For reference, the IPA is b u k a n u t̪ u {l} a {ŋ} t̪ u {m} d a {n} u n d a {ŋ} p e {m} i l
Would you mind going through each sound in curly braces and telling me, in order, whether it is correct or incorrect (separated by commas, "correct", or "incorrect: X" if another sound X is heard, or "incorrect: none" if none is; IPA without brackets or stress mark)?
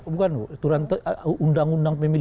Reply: incorrect: ɾ, incorrect: n, incorrect: n, incorrect: ŋ, correct, correct